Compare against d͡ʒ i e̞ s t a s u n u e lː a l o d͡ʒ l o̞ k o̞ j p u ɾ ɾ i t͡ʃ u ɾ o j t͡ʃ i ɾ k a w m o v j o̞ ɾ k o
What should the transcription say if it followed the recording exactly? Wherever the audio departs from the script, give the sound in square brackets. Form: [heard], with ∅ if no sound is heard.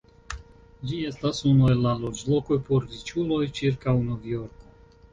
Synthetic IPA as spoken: d͡ʒ i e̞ s t a s u n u e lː a l o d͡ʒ l o̞ k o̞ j p [o] ɾ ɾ i t͡ʃ u [l] o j t͡ʃ i ɾ k a w [n] o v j o̞ ɾ k o